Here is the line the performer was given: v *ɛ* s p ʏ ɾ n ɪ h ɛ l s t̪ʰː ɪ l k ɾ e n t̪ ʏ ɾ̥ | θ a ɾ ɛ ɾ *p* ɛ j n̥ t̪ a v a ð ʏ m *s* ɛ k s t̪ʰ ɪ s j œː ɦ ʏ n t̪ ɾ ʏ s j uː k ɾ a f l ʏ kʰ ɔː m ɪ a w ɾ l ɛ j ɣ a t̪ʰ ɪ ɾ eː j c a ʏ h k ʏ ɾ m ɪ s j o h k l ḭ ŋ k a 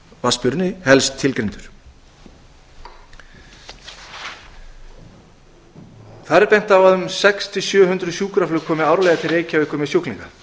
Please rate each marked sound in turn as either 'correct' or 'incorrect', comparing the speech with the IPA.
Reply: incorrect: a, correct, correct

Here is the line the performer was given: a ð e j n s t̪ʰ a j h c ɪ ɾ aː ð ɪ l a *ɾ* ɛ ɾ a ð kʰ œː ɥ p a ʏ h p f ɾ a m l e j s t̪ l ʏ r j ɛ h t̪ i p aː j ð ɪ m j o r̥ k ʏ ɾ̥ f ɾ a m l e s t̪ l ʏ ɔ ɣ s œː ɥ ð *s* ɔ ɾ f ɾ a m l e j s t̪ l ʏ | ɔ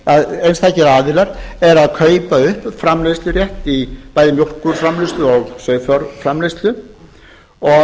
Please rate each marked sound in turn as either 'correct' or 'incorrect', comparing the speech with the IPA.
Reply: correct, incorrect: f

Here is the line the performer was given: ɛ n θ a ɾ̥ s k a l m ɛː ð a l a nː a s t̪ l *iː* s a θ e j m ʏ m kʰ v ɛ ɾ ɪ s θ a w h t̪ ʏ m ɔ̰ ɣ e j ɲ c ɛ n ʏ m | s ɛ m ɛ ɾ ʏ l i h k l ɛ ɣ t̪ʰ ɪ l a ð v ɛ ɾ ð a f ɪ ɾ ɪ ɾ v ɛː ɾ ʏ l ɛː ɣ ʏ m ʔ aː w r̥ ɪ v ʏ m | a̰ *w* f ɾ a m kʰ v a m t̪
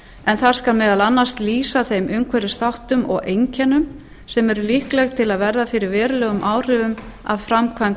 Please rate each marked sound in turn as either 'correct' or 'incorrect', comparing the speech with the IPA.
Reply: correct, incorrect: v

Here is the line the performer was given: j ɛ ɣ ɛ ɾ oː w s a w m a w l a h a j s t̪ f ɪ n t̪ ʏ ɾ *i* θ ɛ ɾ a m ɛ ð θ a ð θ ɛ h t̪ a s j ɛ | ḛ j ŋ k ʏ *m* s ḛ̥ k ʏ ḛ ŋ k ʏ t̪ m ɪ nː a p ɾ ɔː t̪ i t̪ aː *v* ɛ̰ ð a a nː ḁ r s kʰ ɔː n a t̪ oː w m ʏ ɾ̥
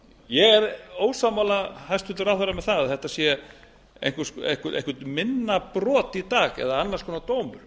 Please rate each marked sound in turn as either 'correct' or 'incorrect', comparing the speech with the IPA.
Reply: incorrect: a, incorrect: none, incorrect: ɣ

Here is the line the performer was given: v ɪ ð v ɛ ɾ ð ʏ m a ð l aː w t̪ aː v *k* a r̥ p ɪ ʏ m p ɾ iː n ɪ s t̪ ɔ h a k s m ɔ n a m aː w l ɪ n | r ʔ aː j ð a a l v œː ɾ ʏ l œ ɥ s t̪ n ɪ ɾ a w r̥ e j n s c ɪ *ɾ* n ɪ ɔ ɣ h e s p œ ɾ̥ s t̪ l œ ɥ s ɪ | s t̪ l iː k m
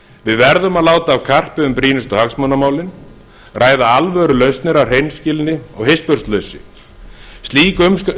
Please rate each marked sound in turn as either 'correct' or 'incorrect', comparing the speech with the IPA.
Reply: incorrect: kʰ, incorrect: l

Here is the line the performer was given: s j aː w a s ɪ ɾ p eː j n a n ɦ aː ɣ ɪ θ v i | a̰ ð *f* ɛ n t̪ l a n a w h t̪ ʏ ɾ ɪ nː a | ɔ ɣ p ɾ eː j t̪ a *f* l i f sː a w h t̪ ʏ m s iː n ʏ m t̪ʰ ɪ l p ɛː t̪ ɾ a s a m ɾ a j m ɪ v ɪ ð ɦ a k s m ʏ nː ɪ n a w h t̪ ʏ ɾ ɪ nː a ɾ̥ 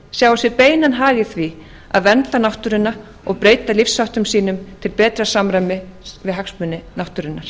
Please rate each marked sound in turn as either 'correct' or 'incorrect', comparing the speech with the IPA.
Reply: incorrect: v, incorrect: none

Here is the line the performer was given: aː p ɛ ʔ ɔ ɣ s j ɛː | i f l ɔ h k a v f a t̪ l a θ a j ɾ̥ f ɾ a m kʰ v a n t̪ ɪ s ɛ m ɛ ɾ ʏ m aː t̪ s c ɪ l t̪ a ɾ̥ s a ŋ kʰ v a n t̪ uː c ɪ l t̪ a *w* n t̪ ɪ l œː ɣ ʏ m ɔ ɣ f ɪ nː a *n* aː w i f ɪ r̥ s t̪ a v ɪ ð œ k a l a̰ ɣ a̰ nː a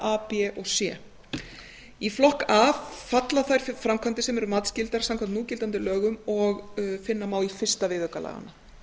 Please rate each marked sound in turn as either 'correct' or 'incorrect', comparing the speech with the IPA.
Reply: incorrect: none, incorrect: m

